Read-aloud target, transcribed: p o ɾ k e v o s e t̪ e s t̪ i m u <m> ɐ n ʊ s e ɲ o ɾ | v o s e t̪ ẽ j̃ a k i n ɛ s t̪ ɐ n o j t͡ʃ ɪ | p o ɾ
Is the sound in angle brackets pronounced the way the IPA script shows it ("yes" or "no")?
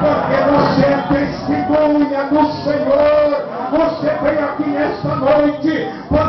no